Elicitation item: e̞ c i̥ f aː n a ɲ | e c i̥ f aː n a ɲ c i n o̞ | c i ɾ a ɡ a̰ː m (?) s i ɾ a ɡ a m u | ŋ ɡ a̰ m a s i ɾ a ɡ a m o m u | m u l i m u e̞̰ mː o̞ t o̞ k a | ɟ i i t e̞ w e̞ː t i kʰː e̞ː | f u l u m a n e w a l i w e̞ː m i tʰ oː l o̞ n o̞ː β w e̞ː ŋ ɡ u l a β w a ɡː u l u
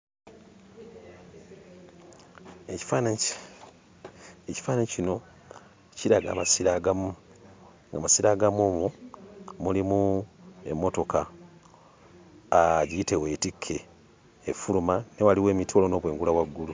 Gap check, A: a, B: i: A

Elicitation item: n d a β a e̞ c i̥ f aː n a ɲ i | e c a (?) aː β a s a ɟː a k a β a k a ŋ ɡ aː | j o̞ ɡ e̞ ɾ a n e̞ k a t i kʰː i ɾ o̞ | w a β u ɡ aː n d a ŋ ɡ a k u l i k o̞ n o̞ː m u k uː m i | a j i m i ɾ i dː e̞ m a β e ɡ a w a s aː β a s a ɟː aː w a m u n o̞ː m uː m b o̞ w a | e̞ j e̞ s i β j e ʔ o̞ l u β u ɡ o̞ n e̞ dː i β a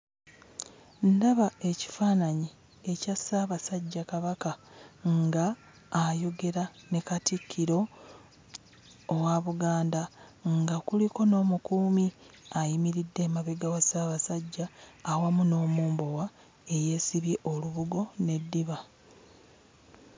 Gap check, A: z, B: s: B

